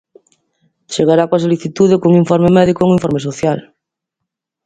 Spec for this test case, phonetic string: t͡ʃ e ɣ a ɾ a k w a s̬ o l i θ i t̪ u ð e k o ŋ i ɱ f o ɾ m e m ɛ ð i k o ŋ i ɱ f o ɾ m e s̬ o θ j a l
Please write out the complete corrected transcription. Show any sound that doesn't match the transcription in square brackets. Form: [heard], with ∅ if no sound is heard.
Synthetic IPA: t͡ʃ e ɣ a ɾ a k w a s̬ o l i θ i t̪ u ð e k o ŋ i ɱ f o ɾ m e m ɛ ð i k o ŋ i ɱ f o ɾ m e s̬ o θ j a l